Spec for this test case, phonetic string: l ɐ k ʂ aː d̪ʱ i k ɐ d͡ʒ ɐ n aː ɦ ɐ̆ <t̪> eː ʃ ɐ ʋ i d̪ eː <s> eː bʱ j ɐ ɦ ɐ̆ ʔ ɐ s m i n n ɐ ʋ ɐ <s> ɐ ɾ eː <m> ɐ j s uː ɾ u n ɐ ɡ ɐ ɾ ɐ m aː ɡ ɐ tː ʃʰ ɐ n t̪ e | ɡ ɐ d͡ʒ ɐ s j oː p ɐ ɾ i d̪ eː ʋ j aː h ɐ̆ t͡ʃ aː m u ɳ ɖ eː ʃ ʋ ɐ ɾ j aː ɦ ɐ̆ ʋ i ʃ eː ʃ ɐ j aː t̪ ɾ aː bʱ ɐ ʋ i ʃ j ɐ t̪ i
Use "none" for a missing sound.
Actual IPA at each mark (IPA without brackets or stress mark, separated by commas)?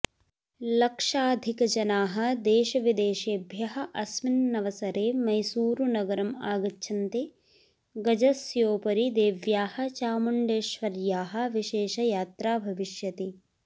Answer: d̪, ʃ, s, m